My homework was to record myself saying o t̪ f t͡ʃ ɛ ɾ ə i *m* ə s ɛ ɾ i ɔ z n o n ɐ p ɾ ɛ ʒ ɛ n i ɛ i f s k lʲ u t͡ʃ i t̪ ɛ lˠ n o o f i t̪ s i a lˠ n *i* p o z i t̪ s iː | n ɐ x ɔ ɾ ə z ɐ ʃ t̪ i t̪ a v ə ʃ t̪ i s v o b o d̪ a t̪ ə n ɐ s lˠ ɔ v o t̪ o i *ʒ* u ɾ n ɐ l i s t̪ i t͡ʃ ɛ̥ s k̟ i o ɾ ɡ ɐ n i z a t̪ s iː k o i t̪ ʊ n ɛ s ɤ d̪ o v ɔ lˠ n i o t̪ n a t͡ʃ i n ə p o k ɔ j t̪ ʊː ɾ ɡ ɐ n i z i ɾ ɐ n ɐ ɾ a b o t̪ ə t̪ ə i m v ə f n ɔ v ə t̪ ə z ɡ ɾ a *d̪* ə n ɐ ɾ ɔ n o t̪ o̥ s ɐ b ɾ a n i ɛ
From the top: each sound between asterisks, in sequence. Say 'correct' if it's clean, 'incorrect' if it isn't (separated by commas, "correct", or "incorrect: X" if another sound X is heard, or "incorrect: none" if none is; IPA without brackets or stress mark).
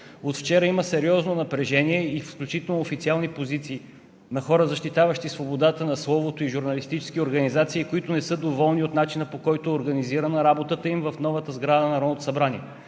correct, correct, correct, correct